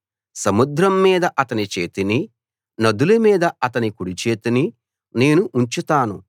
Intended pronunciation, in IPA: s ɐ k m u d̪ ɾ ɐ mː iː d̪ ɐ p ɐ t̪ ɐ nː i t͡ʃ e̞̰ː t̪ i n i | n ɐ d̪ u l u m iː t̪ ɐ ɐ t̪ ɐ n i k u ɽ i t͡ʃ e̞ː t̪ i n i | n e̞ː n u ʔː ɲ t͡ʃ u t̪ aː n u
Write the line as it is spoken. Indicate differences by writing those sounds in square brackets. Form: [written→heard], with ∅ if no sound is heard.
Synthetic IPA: s ɐ [k→∅] m u d̪ ɾ ɐ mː iː d̪ ɐ [p→ʔ] ɐ t̪ ɐ [nː→n] i t͡ʃ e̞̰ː t̪ i n i | n ɐ d̪ u l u m iː [t̪→d̪] ɐ ɐ t̪ ɐ n i k u ɽ i t͡ʃ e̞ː t̪ i n i | n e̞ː n u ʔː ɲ t͡ʃ u t̪ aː n u